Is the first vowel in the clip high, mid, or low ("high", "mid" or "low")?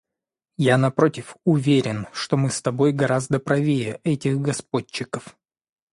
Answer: low